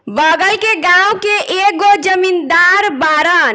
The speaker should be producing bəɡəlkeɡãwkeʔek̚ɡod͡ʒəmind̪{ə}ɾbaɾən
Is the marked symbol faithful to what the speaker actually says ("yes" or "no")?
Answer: no